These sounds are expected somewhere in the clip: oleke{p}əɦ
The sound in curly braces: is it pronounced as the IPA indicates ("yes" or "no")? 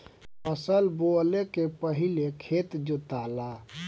yes